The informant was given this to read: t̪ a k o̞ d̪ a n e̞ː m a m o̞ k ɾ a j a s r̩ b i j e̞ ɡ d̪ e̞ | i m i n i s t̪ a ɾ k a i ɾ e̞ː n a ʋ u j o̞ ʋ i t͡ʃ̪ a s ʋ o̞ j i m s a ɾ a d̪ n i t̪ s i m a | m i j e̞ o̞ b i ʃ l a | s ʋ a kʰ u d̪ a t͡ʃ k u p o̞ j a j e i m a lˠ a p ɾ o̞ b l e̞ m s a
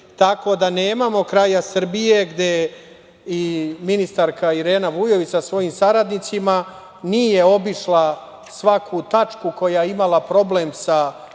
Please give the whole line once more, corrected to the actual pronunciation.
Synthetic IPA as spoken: t̪ a k o̞ d̪ a n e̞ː m a m o̞ k ɾ a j a s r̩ b i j e̞ ɡ d̪ e̞ | i m i n i s t̪ a ɾ k a i ɾ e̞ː n a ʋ u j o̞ ʋ i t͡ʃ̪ a s ʋ o̞ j i m s a ɾ a d̪ n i t̪ s i m a | n i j e̞ o̞ b i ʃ l a | s ʋ a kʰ u t̪ a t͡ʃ k u k o̞ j a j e i m a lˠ a p ɾ o̞ b l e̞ m s a